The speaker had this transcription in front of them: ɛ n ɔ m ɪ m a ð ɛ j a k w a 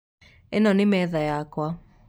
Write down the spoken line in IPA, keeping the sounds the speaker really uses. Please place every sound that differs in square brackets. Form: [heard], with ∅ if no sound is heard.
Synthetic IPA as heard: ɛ n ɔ [n] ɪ m [ɛ] ð [a] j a k w a